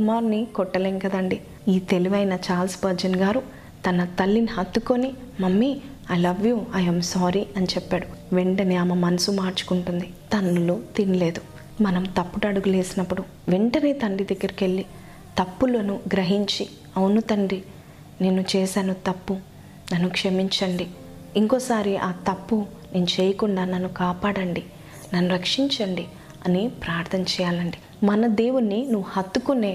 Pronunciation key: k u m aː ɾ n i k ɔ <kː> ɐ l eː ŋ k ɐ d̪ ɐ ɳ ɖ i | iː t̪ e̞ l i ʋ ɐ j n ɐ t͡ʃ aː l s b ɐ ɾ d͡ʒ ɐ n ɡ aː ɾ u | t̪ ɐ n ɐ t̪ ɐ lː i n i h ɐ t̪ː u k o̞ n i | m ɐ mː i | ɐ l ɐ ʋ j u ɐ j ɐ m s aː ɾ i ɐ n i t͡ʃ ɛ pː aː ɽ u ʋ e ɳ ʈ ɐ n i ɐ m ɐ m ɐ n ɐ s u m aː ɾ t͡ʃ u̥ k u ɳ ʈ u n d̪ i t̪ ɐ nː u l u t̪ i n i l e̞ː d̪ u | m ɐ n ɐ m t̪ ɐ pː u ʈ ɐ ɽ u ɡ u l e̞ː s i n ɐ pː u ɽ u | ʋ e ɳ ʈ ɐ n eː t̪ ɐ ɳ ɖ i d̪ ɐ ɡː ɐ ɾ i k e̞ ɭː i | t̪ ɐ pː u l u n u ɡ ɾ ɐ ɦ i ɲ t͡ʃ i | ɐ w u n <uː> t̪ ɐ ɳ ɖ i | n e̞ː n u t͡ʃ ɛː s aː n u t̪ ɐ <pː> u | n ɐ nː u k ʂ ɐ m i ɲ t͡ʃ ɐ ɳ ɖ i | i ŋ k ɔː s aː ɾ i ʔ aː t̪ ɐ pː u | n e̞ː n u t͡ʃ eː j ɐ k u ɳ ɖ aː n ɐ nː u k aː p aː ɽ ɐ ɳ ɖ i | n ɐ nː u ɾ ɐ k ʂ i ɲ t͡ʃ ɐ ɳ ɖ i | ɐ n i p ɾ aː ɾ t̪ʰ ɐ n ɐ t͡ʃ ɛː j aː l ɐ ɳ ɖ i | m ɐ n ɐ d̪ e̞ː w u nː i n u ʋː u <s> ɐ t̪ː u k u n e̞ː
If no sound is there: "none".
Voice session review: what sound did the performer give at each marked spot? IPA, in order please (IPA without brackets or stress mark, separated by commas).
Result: ʈː, u, pː, h